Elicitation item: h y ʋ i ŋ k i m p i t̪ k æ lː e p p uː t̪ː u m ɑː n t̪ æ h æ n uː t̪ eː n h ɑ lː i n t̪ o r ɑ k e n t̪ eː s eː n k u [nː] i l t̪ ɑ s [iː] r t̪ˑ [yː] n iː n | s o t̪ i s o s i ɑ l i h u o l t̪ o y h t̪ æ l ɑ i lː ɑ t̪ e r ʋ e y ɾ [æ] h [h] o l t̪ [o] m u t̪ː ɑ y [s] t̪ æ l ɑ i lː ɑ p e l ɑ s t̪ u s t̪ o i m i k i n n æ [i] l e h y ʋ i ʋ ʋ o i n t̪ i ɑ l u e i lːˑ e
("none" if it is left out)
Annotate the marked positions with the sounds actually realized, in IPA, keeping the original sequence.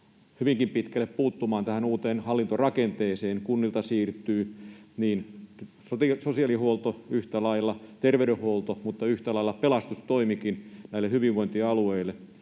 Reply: nː, iː, yː, e, h, o, h, i

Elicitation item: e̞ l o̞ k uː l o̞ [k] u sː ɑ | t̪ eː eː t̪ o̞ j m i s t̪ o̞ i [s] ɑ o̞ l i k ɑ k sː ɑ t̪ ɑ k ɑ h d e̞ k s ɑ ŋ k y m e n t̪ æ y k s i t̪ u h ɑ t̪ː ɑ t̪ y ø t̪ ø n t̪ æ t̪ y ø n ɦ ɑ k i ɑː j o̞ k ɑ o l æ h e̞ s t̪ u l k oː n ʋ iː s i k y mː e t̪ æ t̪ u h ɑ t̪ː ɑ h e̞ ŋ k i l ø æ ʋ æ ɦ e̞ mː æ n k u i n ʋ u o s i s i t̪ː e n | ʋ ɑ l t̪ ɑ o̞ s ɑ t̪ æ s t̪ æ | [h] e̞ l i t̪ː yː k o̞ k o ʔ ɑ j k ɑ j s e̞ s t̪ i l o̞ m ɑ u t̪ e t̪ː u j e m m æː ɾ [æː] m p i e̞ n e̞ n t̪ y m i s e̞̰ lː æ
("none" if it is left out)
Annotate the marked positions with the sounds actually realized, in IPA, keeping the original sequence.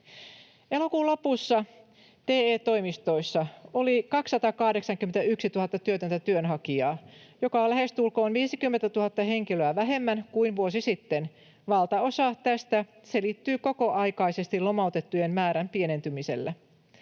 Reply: p, sː, s, æ

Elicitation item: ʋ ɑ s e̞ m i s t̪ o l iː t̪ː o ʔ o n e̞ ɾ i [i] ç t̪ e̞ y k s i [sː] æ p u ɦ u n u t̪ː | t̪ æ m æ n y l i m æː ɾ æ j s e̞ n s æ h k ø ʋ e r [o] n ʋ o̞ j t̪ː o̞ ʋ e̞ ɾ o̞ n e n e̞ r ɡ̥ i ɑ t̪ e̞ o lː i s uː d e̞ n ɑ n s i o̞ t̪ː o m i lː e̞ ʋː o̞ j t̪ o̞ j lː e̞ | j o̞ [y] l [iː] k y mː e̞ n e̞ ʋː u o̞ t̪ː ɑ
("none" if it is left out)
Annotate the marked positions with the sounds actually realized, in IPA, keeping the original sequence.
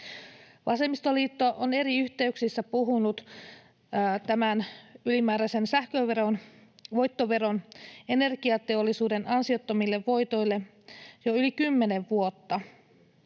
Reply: y, sː, o, y, i

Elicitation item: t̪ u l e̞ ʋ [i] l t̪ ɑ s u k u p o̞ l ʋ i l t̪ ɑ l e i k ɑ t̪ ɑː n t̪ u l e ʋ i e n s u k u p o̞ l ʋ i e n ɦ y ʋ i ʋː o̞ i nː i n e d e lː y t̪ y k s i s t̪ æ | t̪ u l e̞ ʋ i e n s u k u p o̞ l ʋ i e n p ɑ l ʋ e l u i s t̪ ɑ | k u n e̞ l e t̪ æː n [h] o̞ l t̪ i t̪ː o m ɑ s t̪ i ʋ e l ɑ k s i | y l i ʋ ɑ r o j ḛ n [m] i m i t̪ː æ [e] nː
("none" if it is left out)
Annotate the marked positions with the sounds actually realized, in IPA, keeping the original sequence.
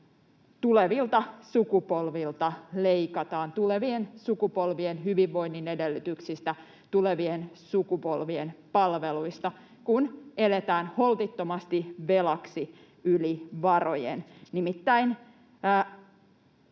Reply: i, h, n, i

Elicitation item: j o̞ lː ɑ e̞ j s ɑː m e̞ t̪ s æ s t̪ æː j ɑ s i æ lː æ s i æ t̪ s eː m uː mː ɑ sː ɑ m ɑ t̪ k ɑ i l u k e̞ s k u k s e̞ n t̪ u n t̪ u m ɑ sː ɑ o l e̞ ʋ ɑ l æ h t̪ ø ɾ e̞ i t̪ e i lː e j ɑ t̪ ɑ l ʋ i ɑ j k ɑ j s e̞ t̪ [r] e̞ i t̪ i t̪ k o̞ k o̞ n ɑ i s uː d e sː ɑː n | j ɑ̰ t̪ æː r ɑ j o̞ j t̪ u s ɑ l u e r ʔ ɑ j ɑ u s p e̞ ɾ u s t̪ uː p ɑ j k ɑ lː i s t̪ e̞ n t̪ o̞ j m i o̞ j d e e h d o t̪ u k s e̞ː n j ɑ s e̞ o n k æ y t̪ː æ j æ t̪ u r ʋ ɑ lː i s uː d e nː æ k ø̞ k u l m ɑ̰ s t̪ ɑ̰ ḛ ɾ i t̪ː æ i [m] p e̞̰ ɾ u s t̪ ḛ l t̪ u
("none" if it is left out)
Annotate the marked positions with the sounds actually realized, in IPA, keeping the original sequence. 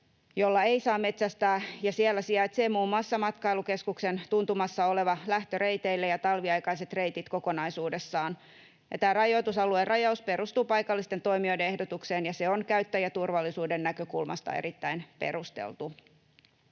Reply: r, n

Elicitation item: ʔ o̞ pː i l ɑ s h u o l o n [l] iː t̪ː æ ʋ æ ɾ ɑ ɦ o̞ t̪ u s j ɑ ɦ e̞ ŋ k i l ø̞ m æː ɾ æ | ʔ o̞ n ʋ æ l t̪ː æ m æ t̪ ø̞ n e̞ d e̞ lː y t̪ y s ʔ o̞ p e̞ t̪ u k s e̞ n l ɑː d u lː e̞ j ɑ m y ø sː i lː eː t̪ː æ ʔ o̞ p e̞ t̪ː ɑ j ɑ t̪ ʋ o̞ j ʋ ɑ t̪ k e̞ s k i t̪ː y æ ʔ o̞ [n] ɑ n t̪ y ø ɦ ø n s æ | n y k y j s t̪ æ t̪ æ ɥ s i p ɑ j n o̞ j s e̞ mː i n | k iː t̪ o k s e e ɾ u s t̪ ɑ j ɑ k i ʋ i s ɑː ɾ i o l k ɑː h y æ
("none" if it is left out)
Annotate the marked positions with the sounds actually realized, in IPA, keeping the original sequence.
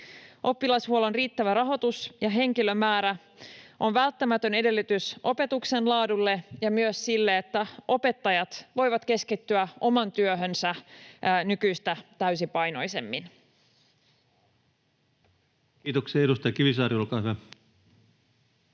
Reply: r, m

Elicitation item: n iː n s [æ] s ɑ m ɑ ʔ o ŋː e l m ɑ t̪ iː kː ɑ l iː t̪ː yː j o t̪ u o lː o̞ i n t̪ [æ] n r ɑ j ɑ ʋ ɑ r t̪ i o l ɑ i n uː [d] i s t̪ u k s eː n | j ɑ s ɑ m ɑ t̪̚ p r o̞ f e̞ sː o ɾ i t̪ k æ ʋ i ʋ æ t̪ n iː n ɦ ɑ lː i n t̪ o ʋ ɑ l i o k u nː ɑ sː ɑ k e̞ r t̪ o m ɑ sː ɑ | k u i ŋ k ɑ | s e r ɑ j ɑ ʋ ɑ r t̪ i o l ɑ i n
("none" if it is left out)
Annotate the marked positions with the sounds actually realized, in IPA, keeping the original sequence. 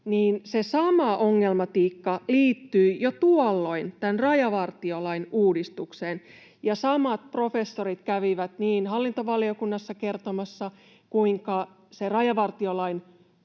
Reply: e, æ, d

